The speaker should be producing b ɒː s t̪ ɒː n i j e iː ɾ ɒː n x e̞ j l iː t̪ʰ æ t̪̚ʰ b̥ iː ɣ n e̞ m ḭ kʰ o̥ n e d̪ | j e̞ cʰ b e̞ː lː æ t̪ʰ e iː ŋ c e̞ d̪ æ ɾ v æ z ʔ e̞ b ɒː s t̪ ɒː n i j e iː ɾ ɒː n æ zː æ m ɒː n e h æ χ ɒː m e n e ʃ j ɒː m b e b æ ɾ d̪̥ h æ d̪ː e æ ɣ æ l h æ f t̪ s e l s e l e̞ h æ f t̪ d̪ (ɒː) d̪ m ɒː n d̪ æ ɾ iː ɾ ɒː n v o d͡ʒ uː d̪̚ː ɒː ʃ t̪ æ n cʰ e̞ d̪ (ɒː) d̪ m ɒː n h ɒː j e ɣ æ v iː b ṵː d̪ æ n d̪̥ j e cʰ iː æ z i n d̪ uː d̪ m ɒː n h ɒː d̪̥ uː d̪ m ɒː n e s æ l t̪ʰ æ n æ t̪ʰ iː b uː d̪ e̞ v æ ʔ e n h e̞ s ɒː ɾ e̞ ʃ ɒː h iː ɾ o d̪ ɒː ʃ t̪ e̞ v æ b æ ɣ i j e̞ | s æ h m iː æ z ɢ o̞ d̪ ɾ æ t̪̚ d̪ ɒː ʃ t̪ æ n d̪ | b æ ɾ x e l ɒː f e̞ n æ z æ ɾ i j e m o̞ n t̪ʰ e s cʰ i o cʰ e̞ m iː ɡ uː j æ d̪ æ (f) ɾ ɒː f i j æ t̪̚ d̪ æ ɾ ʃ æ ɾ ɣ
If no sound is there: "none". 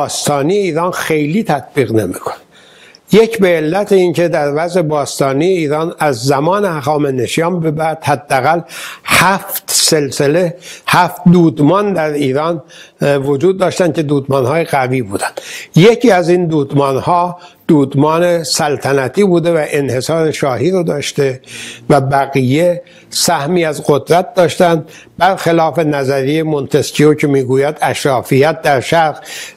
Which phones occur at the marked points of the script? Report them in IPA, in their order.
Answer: uː, uː, ʃ

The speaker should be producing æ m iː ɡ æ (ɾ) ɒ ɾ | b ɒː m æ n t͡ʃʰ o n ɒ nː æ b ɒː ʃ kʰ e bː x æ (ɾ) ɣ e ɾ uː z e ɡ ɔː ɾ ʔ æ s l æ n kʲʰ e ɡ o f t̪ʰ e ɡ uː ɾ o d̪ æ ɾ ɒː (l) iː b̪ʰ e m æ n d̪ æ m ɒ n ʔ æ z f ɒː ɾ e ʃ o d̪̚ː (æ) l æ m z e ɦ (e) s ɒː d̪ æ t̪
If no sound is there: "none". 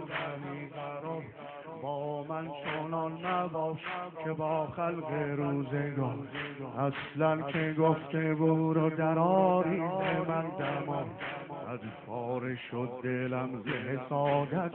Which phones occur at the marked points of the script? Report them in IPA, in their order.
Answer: ɾ, l, ɾ, e, e

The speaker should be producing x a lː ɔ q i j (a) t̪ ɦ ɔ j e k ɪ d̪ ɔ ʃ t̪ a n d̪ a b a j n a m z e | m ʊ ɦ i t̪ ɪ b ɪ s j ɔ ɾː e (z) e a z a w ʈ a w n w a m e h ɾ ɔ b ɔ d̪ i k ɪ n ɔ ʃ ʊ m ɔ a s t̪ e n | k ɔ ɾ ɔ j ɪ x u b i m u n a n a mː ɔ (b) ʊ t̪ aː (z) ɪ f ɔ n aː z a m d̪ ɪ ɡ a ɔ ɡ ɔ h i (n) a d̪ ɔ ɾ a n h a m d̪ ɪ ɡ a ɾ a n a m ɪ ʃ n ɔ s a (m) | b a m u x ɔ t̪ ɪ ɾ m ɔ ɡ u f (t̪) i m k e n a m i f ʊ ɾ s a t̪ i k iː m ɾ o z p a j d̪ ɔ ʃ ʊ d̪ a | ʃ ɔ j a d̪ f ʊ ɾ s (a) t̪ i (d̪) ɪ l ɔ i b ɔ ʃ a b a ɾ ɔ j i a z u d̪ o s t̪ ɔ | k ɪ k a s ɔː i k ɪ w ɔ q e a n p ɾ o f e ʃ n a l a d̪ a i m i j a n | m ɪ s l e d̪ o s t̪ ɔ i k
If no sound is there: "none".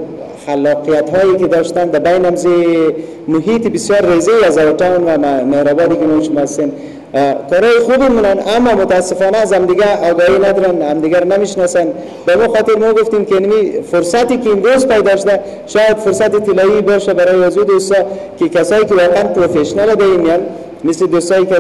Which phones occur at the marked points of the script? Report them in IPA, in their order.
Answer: a, z, m, s, n, n, t̪, a, t̪

